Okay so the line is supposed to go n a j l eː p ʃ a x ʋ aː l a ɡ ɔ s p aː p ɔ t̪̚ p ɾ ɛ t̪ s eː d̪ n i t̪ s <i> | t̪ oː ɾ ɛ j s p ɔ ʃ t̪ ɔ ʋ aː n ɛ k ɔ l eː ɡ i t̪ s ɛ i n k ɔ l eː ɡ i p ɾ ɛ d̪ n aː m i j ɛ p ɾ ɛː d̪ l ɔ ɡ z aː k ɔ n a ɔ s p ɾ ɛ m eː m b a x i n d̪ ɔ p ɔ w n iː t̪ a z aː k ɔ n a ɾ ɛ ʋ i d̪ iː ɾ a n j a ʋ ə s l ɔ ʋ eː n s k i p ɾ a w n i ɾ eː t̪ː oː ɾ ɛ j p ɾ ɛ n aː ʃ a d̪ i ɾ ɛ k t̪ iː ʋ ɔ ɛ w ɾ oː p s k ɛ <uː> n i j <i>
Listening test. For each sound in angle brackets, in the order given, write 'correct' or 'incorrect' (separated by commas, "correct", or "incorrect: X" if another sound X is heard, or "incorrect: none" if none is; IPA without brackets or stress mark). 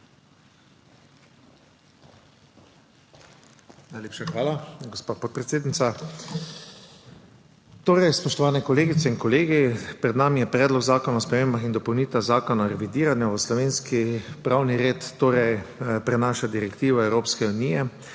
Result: incorrect: a, incorrect: u, incorrect: ɛ